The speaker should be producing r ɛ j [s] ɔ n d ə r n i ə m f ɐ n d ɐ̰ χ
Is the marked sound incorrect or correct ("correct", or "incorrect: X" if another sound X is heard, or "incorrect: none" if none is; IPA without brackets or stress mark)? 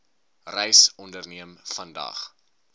correct